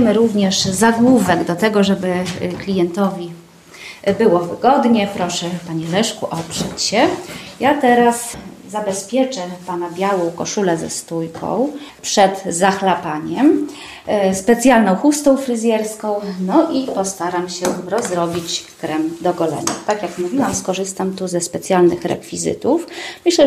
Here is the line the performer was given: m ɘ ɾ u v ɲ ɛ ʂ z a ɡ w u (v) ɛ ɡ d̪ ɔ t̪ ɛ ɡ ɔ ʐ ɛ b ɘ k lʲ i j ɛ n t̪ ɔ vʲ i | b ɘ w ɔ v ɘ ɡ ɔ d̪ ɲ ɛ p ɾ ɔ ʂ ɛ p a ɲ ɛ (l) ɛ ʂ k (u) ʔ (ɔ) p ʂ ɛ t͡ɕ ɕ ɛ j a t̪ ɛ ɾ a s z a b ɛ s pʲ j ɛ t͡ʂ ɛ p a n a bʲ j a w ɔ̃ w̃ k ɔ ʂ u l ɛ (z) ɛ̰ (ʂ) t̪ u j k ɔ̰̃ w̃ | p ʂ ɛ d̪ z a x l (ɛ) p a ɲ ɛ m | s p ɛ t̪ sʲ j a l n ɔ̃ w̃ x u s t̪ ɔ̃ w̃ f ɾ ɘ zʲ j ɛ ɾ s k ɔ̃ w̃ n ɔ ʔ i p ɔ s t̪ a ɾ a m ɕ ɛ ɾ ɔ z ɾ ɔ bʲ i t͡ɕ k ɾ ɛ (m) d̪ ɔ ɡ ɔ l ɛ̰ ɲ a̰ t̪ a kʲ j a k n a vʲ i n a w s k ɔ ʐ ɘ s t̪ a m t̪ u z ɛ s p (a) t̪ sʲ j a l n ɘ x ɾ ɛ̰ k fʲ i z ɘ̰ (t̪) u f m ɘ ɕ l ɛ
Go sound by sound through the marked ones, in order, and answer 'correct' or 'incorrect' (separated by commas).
correct, correct, correct, correct, correct, incorrect, incorrect, correct, incorrect, correct